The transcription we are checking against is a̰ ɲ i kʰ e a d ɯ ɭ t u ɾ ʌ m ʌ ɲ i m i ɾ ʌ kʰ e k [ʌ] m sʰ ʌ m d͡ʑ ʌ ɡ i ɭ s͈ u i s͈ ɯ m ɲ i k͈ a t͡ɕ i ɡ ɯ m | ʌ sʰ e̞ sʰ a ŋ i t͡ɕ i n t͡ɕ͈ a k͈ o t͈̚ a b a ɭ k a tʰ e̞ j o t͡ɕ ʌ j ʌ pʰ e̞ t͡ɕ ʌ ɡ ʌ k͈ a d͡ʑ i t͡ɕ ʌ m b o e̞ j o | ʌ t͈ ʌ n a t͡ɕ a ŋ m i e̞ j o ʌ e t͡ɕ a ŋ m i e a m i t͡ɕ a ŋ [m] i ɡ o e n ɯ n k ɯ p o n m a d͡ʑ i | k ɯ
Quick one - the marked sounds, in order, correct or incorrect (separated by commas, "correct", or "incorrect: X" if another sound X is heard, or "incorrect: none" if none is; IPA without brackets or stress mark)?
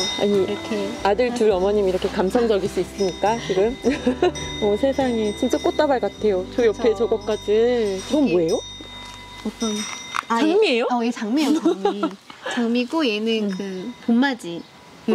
incorrect: a, correct